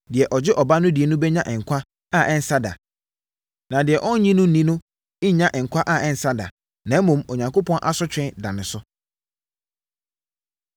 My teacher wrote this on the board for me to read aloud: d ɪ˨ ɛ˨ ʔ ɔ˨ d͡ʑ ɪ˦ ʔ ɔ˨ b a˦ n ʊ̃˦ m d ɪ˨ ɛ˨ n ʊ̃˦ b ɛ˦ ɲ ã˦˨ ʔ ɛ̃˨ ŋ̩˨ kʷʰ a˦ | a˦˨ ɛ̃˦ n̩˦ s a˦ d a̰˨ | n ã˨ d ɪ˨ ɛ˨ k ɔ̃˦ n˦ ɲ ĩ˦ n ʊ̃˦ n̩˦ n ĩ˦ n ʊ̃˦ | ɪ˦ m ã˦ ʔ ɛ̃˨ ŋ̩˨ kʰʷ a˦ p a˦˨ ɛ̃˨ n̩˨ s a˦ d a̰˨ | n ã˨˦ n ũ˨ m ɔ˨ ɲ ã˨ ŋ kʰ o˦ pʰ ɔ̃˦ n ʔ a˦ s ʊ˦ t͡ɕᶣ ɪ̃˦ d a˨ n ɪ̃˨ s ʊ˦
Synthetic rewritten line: d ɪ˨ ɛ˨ ʔ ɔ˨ d͡ʑ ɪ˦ ʔ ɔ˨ b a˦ n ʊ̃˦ d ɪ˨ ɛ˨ n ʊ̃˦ b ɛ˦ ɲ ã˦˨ ʔ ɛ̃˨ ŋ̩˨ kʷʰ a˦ | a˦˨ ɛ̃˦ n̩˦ s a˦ d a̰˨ | n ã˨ d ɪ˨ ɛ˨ ʔ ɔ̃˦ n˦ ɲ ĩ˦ n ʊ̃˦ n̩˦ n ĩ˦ n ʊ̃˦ | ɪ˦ ɲ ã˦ ʔ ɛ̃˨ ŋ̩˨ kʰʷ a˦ ʔ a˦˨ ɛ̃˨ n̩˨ s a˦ d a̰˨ | n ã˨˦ m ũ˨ m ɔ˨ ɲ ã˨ ŋ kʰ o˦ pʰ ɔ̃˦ n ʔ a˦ s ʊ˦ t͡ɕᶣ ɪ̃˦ d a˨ n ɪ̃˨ s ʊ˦